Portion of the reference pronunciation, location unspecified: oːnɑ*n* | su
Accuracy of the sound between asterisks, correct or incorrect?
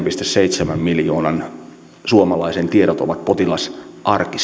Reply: correct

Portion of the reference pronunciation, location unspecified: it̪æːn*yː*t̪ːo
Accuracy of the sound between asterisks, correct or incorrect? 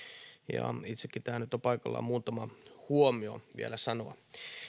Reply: incorrect: y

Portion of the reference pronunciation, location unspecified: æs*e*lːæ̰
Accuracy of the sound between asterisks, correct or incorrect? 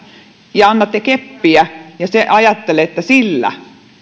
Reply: incorrect: i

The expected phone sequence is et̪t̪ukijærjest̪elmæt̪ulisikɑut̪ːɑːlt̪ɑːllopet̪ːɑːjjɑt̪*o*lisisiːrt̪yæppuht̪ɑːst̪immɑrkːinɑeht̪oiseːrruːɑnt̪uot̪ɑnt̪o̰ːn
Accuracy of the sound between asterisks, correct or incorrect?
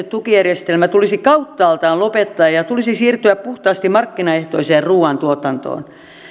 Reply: incorrect: u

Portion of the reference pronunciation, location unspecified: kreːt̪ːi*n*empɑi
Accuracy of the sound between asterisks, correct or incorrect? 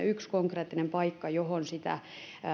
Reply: correct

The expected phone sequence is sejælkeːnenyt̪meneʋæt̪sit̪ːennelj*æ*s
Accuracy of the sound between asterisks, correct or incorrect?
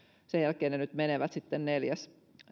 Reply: correct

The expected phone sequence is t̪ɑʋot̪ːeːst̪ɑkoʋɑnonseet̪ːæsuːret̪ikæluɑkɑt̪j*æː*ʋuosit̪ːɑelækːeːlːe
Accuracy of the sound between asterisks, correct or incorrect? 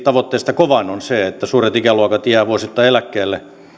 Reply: correct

